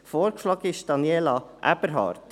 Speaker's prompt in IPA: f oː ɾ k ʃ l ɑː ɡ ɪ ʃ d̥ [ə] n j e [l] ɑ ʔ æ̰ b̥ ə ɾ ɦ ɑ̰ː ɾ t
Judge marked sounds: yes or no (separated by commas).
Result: no, yes